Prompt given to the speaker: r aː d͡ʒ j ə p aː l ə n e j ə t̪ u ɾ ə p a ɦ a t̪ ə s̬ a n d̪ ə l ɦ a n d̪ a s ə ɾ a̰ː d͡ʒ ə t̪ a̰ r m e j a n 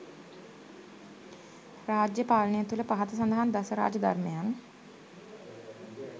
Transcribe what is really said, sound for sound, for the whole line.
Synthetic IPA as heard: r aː d͡ʒ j ə p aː l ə n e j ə t̪ u l ə p a ɦ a t̪ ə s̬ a n d̪ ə ɦ a n d̪ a s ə ɾ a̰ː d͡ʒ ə d̪ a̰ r m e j a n

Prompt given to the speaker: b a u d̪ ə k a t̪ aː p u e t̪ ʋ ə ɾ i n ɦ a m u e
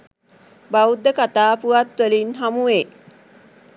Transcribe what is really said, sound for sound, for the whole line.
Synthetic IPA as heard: b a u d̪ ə k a t̪ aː p u a t̪ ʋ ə l i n ɦ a m u e

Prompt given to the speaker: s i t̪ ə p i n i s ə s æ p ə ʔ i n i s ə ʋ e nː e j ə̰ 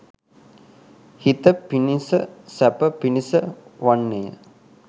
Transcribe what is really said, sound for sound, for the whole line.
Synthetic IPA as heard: h i t̪ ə p i n i s ə s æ p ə p i n i s ə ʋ a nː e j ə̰

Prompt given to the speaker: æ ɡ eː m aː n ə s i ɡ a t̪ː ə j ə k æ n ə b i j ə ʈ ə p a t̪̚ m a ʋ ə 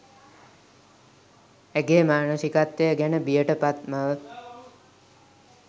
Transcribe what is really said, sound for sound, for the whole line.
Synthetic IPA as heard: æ ɡ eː m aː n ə s i k a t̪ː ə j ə ɡ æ n ə b i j ə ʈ ə p a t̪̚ m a ʋ ə

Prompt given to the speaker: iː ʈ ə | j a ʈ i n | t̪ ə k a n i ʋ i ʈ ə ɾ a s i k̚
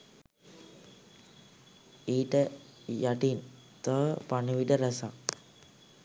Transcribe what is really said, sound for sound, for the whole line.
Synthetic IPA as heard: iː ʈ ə | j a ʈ i n | t̪ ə p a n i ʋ i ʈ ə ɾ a s a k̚

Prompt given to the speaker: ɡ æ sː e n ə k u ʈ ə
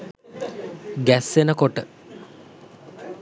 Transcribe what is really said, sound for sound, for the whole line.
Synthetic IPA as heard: ɡ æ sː e n ə k o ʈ ə

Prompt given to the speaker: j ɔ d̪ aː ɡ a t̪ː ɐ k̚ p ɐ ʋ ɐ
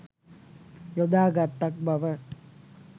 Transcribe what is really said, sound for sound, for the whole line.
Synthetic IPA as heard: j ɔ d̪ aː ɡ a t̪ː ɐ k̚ b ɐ ʋ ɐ

